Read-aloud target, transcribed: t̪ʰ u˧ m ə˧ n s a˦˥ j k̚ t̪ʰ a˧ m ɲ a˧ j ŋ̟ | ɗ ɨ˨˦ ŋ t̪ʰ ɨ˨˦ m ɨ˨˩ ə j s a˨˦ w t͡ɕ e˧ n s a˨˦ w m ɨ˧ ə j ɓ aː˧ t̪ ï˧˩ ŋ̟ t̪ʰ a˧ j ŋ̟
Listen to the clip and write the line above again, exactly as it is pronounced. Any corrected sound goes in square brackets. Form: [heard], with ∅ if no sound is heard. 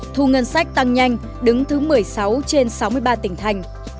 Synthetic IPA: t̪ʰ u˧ [ŋ] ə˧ n s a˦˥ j k̚ [t̪] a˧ [ŋ] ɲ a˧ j ŋ̟ | ɗ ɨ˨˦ ŋ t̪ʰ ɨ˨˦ m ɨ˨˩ ə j s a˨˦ w t͡ɕ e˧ n s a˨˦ w m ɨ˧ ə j ɓ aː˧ t̪ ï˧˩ ŋ̟ t̪ʰ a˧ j ŋ̟